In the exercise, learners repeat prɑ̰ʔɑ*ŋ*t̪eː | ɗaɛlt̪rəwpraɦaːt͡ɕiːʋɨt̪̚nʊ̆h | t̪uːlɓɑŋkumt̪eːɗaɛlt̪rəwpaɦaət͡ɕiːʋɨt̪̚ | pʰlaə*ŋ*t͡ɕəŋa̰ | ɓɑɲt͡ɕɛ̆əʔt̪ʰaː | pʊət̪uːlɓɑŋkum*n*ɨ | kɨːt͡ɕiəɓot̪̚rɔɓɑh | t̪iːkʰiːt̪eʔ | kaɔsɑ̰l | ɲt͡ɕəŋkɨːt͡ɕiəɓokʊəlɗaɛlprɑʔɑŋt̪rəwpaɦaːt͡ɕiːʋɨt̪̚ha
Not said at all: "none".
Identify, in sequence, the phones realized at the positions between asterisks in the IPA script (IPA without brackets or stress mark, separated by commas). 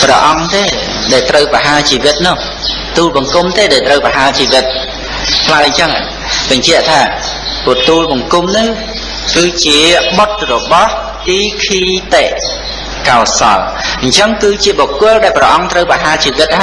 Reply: ŋ, ɲ, n